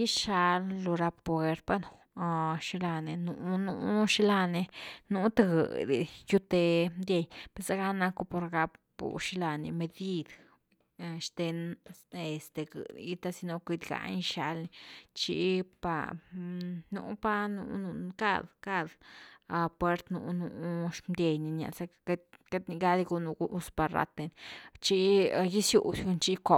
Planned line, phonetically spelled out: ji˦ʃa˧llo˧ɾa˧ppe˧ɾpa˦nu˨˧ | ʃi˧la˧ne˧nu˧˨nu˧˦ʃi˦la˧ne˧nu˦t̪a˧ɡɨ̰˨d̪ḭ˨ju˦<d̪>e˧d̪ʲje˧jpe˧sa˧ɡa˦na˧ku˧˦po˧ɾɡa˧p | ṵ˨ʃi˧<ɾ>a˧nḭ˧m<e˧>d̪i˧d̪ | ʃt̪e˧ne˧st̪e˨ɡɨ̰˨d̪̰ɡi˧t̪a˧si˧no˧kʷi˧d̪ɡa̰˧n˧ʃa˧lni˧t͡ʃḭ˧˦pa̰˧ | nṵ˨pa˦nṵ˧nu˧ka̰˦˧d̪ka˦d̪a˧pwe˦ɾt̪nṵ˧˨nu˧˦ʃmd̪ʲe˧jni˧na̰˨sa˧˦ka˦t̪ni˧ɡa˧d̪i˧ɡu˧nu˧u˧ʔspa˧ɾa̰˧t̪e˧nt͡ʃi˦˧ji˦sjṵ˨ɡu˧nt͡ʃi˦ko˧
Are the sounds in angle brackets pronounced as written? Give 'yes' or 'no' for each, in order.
no, no, yes

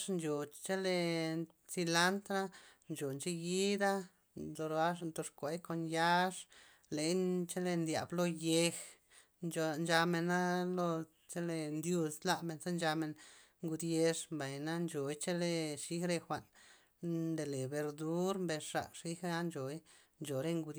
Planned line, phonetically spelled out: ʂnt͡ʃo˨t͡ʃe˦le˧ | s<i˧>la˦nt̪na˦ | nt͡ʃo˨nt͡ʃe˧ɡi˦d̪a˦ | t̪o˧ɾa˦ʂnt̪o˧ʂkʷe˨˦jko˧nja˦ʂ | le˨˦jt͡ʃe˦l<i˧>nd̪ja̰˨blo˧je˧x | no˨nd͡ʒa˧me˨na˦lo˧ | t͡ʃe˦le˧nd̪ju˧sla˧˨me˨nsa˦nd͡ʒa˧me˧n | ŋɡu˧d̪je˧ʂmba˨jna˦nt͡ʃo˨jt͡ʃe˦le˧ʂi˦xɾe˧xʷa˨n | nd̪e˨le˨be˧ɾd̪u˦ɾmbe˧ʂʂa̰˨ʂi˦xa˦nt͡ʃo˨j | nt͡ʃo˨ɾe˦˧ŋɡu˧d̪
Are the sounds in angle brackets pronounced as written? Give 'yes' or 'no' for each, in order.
yes, no

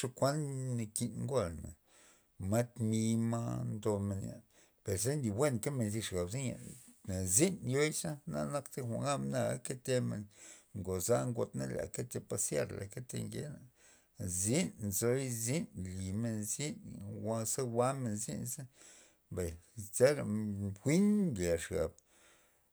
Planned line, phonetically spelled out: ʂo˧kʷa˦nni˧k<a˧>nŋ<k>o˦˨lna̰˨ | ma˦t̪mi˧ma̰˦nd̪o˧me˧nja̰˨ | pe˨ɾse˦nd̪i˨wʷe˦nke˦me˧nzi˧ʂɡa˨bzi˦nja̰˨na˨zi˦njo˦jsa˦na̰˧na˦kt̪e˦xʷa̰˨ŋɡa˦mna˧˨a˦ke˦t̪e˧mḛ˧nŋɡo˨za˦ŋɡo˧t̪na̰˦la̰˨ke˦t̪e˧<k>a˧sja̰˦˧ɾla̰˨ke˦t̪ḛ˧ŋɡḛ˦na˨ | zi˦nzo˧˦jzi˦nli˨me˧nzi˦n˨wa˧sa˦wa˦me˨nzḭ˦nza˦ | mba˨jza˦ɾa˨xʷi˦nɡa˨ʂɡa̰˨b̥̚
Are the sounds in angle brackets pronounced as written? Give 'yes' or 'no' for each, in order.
no, no, no

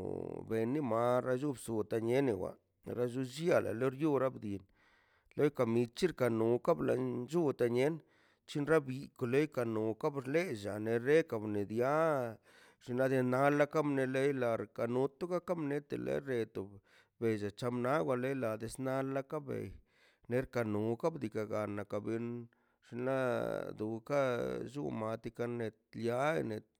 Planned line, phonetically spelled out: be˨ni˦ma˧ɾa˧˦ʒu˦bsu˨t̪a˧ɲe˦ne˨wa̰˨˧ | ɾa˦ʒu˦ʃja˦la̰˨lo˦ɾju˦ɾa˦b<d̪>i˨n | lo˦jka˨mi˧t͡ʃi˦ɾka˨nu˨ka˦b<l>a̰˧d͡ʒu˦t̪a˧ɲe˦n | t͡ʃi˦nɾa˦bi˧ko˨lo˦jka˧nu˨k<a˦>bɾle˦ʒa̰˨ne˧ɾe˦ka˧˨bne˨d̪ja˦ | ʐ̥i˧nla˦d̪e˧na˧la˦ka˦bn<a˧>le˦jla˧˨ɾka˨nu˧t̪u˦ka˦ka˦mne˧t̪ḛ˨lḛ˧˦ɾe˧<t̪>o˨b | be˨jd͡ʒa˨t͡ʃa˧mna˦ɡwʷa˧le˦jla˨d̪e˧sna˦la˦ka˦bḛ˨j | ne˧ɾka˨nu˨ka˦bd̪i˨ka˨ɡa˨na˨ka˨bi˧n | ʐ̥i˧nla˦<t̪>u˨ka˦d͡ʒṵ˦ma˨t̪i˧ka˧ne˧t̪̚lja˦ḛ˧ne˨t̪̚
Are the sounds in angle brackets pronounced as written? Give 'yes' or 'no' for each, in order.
yes, yes, yes, no, yes, no

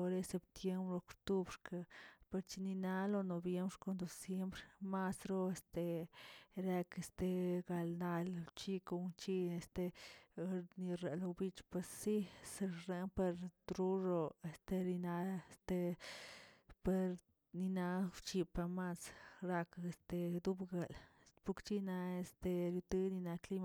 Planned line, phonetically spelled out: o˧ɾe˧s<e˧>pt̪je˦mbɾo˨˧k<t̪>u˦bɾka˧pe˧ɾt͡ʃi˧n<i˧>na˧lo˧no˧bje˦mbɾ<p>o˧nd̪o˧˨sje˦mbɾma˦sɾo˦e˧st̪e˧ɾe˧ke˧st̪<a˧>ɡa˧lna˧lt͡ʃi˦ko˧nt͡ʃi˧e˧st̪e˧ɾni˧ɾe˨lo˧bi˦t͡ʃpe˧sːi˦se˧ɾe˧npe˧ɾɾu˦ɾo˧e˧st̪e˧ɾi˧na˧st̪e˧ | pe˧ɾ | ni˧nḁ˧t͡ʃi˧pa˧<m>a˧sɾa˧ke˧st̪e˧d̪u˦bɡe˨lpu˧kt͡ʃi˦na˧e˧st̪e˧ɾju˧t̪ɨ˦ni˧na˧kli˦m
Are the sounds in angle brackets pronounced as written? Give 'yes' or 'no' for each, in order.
yes, yes, yes, no, no, yes

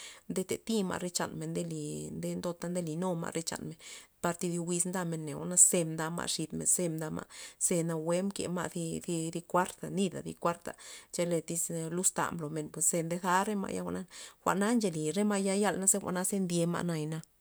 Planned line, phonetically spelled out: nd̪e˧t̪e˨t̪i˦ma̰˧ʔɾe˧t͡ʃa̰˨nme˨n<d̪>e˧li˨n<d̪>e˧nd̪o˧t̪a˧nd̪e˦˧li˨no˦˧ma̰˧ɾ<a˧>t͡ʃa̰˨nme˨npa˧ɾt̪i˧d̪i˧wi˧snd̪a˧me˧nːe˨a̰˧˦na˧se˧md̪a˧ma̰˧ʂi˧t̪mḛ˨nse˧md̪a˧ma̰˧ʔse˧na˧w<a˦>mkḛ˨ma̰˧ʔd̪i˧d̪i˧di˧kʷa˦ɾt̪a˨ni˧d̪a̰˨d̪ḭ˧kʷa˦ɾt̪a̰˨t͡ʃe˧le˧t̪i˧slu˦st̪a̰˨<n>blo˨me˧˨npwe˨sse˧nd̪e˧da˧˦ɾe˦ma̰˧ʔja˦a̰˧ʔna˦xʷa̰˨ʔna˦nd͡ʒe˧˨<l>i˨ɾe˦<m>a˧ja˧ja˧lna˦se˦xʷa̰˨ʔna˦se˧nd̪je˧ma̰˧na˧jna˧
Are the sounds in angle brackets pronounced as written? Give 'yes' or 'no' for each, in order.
yes, yes, no, no, no, yes, yes

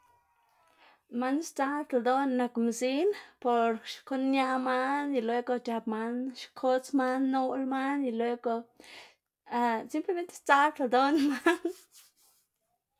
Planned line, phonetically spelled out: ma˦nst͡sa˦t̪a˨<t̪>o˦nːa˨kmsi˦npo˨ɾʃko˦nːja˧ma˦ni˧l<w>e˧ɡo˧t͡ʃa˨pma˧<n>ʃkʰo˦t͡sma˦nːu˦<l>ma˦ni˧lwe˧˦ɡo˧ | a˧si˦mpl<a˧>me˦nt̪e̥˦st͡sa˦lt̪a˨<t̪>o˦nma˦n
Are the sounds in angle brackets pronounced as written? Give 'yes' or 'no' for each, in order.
no, yes, yes, yes, no, no

